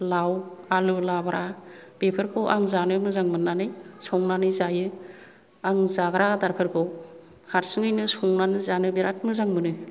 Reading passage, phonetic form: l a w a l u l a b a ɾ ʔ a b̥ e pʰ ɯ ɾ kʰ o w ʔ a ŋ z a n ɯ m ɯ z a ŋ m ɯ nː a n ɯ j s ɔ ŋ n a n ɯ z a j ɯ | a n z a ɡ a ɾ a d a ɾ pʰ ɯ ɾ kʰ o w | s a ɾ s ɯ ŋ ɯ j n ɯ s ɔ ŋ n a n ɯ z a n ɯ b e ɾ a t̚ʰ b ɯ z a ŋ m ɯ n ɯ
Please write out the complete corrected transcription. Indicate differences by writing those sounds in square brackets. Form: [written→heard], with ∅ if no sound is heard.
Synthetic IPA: l a w a l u l a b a ɾ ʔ a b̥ e pʰ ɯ ɾ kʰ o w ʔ a ŋ z a n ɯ m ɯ z a ŋ m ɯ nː a n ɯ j s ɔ ŋ n a n ɯ z a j ɯ | a [n→ŋ] z a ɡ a ɾ a d a ɾ pʰ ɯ ɾ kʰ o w | [s→h] a ɾ s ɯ ŋ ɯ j n ɯ s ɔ ŋ n a n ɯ z a n ɯ b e ɾ a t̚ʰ [b→m] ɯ z a ŋ m ɯ n ɯ